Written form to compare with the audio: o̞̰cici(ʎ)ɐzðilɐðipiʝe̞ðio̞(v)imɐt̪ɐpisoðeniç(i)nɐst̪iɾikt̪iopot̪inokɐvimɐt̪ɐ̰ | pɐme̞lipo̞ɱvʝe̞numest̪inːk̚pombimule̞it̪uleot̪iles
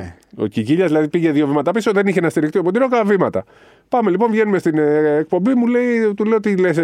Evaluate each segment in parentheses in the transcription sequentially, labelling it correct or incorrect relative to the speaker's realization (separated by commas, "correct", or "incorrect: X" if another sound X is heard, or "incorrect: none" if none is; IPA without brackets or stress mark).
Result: correct, correct, incorrect: e